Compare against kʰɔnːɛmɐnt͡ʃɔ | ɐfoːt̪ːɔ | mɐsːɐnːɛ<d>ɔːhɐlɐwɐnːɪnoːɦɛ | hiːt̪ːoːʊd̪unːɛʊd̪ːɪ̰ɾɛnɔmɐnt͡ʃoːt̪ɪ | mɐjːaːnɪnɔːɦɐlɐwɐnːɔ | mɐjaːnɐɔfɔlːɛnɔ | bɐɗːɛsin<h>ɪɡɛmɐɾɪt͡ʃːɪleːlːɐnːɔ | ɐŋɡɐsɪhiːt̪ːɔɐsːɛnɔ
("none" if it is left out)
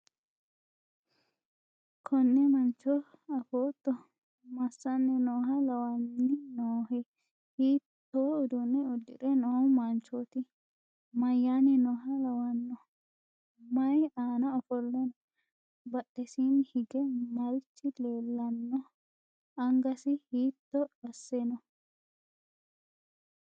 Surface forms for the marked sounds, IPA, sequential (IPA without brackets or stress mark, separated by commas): n, h